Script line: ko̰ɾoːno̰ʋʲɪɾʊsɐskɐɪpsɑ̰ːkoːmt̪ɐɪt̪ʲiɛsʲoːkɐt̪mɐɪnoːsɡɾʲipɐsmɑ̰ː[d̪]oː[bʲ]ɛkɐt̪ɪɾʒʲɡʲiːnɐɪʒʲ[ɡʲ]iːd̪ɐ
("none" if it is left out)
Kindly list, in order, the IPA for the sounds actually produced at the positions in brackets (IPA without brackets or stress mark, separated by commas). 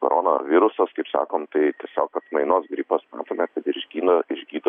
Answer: t̪, mʲ, ɡʲ